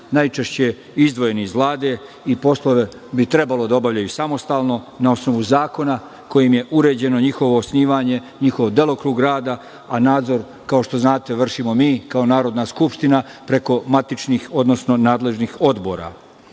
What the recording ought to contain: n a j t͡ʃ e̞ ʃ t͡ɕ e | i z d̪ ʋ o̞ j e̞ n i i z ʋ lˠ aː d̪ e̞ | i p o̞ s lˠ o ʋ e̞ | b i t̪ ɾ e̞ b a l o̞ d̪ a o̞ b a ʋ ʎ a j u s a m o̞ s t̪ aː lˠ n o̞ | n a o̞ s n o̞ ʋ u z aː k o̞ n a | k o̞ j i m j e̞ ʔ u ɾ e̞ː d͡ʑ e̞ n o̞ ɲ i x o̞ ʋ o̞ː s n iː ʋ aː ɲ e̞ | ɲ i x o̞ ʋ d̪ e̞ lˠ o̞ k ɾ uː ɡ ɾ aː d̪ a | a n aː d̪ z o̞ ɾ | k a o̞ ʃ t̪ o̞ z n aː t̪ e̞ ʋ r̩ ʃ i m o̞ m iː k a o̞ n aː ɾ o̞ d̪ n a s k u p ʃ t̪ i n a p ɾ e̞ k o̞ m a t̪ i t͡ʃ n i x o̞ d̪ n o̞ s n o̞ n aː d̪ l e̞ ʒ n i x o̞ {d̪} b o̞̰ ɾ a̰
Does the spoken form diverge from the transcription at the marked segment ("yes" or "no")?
no